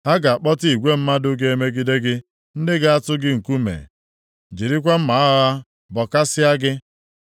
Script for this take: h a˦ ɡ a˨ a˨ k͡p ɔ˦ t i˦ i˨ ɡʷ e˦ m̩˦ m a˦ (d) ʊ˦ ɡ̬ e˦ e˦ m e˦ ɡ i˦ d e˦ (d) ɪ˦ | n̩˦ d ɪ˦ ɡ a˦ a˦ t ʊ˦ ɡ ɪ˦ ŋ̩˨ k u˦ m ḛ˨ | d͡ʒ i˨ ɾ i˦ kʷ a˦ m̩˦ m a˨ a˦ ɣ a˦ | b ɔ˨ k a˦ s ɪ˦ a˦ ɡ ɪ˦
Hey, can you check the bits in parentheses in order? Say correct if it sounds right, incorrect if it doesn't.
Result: correct, incorrect: ɡ

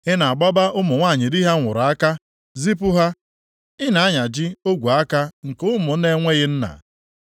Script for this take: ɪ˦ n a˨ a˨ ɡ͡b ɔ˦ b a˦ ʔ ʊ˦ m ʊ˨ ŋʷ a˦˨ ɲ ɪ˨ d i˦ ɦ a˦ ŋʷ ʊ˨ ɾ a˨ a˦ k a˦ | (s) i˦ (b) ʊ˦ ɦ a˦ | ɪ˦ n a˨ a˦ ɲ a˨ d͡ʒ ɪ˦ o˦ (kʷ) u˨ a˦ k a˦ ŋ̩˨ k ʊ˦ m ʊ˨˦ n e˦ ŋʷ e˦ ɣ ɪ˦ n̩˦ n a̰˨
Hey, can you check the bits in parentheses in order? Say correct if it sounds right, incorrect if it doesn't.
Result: incorrect: z, incorrect: p, incorrect: ɡʷ

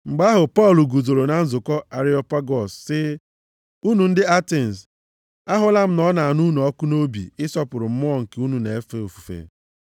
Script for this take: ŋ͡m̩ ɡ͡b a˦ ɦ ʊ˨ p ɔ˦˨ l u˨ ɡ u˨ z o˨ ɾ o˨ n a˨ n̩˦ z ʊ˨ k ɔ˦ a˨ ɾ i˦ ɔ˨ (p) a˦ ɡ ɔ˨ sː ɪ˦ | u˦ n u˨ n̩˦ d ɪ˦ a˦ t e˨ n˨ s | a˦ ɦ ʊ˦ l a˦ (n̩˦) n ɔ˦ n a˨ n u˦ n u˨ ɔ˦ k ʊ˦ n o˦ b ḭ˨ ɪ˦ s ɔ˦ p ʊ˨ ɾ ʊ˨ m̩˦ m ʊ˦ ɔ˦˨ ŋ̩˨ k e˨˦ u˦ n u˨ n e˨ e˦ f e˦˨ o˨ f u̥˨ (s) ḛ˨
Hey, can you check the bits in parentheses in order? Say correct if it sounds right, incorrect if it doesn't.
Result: correct, incorrect: m̩˦, incorrect: f

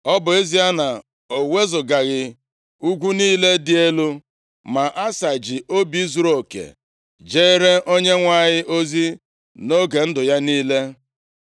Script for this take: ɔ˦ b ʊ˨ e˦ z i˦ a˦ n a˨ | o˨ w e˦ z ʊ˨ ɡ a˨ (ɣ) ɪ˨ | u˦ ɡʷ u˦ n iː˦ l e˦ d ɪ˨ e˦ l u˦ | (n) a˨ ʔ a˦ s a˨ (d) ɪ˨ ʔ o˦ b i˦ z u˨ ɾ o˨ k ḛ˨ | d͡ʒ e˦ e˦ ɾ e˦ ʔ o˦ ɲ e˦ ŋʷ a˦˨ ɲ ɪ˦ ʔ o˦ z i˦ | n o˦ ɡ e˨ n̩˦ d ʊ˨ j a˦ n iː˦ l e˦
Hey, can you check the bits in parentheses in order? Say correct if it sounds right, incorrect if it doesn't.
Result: correct, incorrect: m, incorrect: d͡ʒ

